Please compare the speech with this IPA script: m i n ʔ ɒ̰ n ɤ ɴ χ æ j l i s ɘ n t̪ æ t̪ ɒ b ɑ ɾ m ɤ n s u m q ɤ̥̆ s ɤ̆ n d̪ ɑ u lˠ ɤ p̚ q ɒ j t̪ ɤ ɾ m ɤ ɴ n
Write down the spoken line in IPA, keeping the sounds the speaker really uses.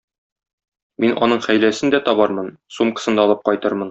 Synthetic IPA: m i n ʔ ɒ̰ n ɤ ɴ χ æ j l æ s ɘ n d̪ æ t̪ ɒ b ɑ ɾ m ɤ n s u m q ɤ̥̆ s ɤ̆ n d̪ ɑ ɒ lˠ ɤ p̚ q ɒ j t̪ ɤ ɾ m ɤ n